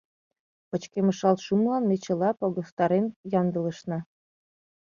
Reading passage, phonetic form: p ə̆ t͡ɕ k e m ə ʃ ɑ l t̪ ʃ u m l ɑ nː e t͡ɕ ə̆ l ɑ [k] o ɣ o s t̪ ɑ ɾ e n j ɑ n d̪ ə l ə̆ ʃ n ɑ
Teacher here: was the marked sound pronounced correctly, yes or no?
no